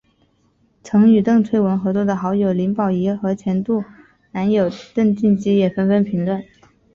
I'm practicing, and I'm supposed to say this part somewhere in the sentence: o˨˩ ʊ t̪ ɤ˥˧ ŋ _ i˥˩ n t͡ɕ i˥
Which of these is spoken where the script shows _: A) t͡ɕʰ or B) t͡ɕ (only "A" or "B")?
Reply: B